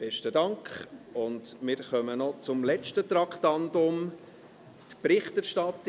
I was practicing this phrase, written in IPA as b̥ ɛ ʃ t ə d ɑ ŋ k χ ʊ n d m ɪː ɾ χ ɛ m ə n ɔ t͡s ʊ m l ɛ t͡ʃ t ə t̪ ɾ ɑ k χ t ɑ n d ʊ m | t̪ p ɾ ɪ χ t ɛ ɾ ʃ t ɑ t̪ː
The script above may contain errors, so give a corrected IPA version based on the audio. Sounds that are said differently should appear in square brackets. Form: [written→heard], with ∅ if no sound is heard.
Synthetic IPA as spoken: b̥ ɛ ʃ t ə d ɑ ŋ k χ ʊ n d m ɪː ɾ χ [ɛ→œ] m ə n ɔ t͡s ʊ m l ɛ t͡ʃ t ə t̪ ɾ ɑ k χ t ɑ n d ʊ m | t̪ p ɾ ɪ χ t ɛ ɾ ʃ t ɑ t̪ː